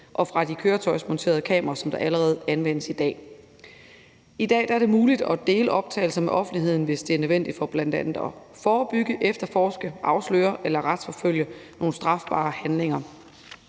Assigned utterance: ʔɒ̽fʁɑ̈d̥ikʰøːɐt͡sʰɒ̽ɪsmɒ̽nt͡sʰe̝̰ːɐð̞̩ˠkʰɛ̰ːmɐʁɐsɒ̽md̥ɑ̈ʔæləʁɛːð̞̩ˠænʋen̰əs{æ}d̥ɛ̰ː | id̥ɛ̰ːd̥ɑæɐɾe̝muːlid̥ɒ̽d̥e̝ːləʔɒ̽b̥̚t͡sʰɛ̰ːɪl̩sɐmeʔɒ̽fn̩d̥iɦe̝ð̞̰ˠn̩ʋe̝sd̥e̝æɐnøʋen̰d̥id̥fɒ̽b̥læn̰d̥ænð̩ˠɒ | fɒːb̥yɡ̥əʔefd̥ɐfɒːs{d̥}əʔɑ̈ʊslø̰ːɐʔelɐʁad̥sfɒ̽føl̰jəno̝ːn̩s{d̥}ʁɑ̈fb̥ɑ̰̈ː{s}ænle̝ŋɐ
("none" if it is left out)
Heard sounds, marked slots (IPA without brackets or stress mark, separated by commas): i, ɡ̥, d̥, h